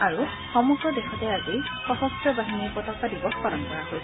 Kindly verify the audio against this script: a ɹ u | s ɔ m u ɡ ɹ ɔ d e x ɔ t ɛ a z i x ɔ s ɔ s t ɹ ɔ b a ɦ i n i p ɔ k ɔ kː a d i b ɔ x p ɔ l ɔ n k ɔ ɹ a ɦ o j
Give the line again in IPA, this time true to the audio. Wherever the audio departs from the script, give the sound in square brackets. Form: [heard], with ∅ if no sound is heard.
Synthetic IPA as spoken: a ɹ u | [x] ɔ m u ɡ ɹ ɔ d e x ɔ t ɛ a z i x ɔ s ɔ s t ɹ ɔ b a ɦ i n i p ɔ [t] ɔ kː a d i b ɔ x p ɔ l ɔ n k ɔ ɹ a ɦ o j